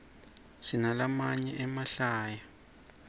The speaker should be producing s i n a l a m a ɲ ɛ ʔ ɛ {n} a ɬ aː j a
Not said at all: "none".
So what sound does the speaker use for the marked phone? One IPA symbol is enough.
m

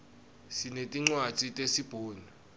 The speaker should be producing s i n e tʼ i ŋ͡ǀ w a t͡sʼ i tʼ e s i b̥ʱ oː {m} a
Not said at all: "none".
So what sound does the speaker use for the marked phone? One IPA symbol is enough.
n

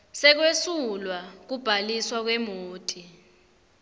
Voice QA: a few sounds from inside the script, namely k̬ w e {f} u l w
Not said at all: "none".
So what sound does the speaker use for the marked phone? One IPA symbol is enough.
s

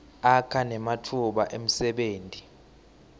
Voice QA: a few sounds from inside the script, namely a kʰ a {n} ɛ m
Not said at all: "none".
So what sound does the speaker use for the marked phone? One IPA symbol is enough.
n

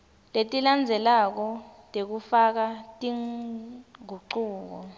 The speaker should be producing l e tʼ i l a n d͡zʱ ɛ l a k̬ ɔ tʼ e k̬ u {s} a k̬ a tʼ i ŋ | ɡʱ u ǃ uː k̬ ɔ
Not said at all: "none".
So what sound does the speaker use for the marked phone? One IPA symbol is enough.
f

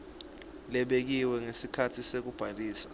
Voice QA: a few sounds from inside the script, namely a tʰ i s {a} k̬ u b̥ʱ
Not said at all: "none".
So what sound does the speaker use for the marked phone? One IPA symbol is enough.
e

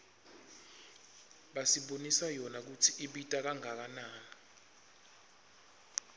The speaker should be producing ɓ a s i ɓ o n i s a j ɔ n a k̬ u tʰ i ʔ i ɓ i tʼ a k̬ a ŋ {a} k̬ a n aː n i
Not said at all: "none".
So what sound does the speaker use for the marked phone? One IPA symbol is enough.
a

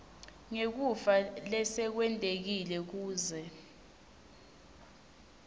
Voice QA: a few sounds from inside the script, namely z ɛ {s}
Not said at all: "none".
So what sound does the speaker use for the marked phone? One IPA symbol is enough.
none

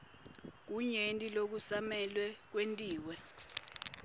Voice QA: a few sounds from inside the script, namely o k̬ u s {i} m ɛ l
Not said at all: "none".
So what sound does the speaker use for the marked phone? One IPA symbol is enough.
a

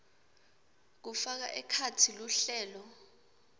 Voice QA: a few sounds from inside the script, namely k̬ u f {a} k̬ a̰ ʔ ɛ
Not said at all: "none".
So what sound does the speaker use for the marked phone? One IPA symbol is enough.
a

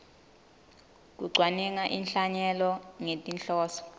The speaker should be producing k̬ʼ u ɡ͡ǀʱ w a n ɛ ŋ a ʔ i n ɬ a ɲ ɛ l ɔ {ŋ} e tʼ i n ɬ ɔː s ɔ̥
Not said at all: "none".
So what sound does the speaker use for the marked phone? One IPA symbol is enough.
ŋ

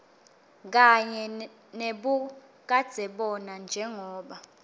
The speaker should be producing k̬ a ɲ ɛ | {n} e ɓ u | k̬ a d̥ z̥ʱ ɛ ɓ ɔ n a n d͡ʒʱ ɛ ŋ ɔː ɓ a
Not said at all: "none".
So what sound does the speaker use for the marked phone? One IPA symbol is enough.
n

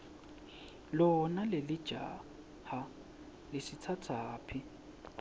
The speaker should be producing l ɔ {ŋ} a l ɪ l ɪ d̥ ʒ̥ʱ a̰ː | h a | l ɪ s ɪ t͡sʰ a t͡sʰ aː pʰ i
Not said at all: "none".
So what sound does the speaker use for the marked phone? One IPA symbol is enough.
n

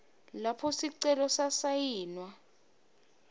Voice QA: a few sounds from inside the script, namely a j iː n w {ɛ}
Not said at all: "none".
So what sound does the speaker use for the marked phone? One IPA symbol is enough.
a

